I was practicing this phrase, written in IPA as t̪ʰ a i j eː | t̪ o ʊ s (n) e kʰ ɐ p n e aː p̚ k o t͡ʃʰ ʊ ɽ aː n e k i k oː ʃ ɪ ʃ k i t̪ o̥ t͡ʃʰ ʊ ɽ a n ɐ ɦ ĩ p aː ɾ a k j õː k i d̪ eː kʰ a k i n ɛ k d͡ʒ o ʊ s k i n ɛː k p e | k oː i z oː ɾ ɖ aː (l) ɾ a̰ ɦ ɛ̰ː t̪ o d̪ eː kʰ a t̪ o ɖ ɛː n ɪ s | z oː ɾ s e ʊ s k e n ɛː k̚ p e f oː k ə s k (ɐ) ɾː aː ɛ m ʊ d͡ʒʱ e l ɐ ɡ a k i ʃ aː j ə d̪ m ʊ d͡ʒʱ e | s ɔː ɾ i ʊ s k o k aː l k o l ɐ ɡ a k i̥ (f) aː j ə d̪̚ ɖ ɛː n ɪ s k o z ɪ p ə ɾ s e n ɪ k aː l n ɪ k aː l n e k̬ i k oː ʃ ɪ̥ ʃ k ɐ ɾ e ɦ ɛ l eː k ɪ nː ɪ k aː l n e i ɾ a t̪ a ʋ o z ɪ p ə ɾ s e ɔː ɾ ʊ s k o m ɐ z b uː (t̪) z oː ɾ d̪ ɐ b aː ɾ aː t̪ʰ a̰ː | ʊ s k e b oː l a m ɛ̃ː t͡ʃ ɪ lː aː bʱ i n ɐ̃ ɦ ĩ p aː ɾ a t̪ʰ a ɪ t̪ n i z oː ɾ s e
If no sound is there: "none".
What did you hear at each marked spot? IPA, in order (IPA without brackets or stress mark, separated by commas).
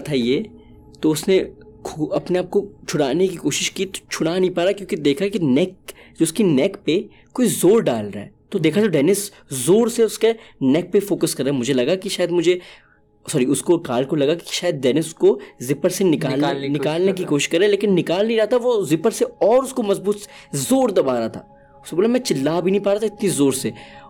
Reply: n, l, ɐ, ʃ, t̪